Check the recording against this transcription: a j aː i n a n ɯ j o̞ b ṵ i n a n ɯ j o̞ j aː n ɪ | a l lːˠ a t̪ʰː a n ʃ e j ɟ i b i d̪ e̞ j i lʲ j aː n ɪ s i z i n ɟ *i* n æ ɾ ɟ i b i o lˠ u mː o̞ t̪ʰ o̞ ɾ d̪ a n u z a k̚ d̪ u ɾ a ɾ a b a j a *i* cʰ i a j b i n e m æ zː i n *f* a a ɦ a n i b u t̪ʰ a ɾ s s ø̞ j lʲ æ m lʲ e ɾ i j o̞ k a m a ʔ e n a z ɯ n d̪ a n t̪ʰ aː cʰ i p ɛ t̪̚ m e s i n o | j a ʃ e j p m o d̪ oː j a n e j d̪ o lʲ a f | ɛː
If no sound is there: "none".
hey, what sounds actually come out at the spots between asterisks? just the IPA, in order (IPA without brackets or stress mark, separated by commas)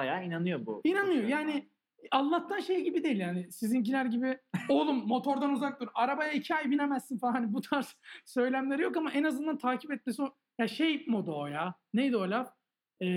i, i, f